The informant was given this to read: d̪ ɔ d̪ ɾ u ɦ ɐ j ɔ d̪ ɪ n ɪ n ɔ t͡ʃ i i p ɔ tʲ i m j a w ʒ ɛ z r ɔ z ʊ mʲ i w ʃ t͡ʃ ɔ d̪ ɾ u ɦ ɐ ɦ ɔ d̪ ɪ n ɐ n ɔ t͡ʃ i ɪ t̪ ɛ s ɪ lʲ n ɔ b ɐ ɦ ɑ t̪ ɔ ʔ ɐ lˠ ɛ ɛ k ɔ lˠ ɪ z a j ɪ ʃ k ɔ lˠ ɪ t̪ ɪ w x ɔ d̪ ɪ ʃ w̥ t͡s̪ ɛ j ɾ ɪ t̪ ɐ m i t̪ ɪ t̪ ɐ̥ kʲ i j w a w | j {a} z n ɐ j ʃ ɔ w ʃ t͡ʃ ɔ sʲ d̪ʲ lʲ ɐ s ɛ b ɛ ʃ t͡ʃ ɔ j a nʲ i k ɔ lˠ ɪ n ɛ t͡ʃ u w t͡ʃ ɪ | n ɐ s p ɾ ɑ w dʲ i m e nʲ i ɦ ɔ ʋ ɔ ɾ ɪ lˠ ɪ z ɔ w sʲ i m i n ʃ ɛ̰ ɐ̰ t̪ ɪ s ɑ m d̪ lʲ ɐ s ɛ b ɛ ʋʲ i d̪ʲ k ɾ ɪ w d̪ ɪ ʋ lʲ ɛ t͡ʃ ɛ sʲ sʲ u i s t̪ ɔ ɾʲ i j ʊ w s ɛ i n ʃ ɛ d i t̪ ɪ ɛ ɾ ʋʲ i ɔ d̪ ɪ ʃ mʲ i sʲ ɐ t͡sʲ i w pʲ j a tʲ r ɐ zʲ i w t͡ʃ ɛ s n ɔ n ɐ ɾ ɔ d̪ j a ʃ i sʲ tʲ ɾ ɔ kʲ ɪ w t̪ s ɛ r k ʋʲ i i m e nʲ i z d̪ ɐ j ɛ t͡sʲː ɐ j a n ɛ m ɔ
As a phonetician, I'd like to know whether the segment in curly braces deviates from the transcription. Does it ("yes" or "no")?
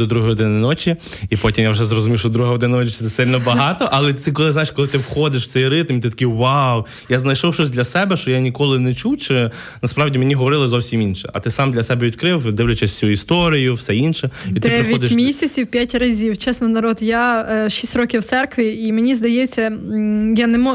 no